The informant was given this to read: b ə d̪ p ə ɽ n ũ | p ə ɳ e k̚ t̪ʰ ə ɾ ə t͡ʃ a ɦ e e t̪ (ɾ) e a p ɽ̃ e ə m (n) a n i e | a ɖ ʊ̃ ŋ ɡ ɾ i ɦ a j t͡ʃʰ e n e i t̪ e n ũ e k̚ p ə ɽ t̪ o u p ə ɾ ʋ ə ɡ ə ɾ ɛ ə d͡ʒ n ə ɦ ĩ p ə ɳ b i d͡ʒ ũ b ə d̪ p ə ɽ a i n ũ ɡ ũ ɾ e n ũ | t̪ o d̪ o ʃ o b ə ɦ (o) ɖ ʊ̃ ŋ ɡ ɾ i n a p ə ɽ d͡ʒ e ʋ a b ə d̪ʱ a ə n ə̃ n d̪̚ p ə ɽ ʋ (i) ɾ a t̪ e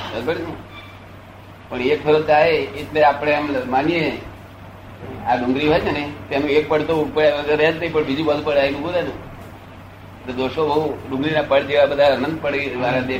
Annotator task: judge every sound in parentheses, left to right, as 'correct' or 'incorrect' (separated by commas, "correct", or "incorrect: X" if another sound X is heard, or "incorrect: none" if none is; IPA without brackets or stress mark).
incorrect: l, incorrect: m, incorrect: u, incorrect: a